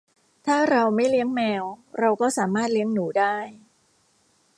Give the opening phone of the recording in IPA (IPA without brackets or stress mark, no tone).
t̪ʰ